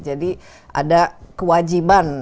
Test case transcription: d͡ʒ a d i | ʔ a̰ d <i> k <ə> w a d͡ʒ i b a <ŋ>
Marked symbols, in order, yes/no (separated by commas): no, yes, no